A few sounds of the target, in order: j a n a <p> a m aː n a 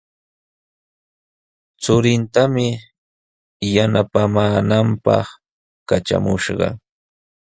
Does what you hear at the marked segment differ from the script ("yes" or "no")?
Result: no